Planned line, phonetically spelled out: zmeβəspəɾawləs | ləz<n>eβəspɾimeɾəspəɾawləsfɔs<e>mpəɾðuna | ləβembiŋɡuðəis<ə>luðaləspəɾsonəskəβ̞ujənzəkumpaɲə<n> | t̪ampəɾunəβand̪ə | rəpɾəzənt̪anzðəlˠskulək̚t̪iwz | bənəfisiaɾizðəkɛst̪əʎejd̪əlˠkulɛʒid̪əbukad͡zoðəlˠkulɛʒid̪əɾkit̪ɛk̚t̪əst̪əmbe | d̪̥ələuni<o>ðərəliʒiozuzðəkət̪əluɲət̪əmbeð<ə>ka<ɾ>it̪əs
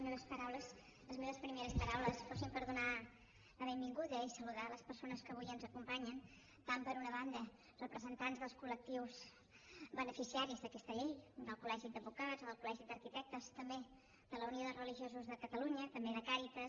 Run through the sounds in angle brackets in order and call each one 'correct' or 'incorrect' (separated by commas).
incorrect, incorrect, correct, correct, correct, correct, correct